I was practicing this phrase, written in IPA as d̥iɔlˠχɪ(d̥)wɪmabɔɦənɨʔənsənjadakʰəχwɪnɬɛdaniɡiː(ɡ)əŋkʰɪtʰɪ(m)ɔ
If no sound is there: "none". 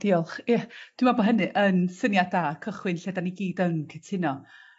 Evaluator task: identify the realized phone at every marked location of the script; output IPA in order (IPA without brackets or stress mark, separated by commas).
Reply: d̥, d, n